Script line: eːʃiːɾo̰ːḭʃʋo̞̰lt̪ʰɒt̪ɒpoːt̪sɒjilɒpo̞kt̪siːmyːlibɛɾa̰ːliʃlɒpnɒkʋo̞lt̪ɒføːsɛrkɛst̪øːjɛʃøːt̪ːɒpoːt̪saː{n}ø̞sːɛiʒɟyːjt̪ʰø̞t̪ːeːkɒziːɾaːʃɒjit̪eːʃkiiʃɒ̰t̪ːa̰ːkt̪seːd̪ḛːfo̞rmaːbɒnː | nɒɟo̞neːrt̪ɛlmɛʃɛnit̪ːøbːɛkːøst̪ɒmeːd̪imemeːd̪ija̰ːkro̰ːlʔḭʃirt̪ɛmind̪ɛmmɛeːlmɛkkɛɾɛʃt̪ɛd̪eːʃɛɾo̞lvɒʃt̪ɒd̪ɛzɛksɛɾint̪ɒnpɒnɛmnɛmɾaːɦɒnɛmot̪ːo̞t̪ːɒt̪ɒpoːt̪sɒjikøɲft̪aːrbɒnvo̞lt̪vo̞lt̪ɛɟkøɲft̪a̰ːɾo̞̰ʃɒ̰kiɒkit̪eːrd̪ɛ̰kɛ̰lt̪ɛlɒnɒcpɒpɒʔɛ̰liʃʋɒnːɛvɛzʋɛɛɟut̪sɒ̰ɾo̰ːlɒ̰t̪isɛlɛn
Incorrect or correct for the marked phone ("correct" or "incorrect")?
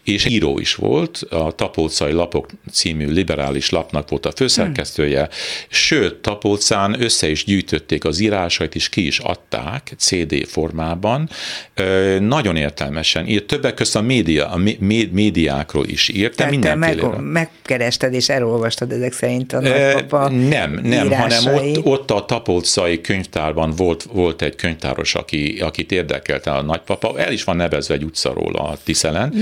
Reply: correct